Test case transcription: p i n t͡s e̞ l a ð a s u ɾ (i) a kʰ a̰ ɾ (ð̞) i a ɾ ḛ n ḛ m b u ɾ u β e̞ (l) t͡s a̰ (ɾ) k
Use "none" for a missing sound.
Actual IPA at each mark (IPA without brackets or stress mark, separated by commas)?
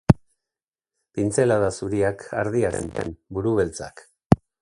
i, ð̞, l, none